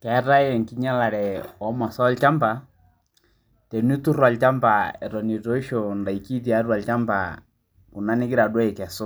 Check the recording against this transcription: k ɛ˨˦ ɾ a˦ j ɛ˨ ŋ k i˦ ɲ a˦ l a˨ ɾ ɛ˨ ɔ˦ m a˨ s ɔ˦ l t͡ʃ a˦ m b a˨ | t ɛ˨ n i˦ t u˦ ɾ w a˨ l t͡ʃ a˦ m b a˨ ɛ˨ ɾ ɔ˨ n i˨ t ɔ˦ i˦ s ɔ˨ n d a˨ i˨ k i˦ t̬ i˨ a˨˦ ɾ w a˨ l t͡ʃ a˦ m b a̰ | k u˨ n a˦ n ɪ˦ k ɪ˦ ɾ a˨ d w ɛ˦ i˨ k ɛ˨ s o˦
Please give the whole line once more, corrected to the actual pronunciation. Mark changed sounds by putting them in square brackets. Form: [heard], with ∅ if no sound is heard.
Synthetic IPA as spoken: k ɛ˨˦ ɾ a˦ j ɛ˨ ŋ k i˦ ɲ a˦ l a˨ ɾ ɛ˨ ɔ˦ m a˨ s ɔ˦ l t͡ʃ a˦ m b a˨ | t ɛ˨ n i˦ t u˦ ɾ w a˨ l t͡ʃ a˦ m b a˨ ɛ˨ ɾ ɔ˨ n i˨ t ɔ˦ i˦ [ʃ] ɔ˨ n d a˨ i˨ k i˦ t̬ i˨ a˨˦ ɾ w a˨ l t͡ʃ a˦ m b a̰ | k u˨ n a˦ n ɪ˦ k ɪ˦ ɾ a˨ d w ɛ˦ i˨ k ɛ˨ s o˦